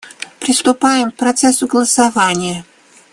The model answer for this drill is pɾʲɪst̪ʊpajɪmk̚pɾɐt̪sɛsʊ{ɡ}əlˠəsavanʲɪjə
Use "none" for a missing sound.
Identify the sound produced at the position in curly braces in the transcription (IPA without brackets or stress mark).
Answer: ɡ